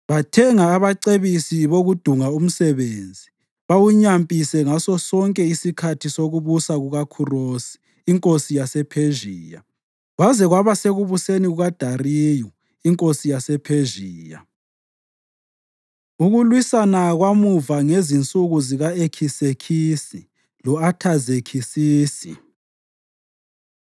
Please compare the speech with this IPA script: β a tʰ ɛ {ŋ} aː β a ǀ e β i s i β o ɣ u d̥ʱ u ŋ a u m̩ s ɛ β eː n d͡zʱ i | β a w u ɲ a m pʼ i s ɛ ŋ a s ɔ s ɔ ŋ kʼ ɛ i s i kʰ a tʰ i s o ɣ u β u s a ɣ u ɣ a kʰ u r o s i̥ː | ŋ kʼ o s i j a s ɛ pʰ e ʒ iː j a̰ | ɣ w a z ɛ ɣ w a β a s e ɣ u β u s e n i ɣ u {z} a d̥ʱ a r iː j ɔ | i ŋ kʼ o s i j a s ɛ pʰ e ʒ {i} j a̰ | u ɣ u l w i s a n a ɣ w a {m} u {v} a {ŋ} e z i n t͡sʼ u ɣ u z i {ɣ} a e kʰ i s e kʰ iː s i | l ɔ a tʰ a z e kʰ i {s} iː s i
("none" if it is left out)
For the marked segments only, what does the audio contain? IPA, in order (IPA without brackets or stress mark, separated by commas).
ŋ, ɣ, iː, m, v, ŋ, ɣ, s